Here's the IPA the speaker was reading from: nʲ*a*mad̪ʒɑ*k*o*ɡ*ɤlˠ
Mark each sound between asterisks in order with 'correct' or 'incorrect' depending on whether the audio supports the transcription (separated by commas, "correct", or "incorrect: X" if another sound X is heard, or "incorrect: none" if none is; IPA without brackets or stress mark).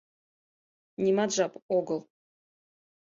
incorrect: i, incorrect: p, correct